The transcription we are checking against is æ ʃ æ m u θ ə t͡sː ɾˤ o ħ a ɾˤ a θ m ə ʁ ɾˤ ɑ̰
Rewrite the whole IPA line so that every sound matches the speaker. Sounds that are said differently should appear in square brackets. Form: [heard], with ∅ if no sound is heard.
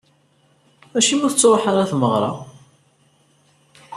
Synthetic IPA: æ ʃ [i] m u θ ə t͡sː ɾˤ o ħ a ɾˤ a θ m ə ʁ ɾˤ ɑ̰